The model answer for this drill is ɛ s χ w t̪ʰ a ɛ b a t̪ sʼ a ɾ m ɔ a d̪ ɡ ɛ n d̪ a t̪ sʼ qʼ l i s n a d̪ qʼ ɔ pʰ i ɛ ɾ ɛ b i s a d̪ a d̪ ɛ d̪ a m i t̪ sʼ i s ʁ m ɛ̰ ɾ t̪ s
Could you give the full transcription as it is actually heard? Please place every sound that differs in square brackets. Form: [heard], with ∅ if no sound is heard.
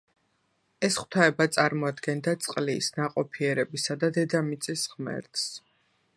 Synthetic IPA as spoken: ɛ s χ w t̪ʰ a ɛ b a t̪ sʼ a ɾ m ɔ a d̪ ɡ ɛ n d̪ a t̪ sʼ qʼ l i s n a [∅] qʼ ɔ pʰ i ɛ ɾ ɛ b i s a d̪ a d̪ ɛ d̪ a m i t̪ sʼ i s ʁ m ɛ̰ ɾ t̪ s